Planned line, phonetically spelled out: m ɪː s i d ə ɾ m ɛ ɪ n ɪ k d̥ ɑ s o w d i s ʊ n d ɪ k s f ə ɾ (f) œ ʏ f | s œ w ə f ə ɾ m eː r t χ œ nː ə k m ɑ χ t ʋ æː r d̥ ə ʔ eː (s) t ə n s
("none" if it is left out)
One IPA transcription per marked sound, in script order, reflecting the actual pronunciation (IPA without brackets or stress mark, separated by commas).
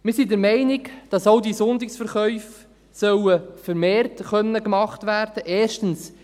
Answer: χ, ʃ